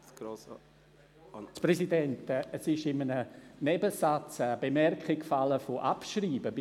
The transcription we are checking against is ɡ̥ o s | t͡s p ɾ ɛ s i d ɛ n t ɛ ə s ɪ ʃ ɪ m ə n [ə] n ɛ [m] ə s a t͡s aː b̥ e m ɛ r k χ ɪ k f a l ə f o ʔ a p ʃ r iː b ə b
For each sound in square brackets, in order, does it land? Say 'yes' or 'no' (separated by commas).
yes, no